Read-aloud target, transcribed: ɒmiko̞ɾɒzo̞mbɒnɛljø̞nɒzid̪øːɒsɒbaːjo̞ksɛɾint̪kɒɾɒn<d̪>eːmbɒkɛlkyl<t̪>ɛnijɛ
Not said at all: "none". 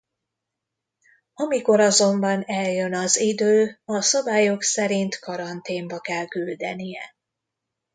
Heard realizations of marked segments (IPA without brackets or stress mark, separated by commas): t̪, d̪